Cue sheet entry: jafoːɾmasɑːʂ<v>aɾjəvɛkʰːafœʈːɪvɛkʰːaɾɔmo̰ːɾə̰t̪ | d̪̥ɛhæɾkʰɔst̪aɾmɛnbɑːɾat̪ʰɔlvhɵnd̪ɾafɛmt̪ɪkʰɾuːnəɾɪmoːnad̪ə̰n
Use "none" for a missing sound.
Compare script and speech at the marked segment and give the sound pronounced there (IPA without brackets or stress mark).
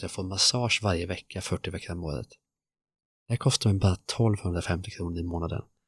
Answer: v